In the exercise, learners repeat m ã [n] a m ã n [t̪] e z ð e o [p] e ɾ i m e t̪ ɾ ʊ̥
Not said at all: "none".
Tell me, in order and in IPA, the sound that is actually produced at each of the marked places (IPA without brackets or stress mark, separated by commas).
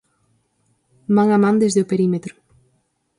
ŋ, d̪, p